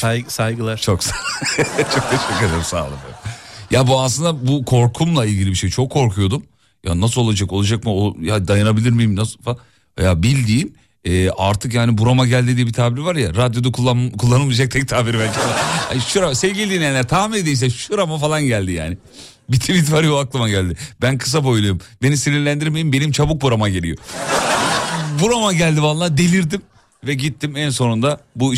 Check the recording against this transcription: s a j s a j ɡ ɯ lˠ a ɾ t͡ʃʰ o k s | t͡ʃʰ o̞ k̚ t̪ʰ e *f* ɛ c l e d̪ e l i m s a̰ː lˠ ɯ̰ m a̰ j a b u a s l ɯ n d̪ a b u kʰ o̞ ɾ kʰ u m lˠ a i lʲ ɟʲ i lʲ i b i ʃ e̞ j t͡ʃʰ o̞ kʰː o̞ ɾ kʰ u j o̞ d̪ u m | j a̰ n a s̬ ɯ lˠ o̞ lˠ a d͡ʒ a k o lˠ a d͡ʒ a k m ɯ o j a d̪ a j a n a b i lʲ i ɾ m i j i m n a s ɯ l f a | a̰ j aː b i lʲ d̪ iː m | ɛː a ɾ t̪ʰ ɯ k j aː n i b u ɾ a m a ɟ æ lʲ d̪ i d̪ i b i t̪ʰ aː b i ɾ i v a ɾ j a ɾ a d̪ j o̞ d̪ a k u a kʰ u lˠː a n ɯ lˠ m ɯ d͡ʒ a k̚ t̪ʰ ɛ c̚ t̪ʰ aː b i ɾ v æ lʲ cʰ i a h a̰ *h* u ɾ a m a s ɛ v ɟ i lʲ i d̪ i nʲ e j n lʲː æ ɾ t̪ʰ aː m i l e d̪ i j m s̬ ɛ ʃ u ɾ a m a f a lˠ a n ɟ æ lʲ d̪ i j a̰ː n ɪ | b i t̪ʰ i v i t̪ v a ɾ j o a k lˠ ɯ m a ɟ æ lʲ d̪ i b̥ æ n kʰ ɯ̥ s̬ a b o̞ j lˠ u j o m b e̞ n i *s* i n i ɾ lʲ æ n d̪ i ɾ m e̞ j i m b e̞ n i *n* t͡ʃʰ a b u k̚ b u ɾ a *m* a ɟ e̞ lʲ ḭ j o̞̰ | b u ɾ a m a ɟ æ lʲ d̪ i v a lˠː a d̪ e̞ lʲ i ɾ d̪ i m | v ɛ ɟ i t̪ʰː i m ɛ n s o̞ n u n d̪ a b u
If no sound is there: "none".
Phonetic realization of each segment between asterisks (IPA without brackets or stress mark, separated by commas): ʃ, ʃ, s, m, m